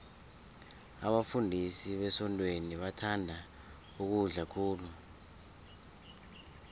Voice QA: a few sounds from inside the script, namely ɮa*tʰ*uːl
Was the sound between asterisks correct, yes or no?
no